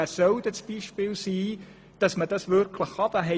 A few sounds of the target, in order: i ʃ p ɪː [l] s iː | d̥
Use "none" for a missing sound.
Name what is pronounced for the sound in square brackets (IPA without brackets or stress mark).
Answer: l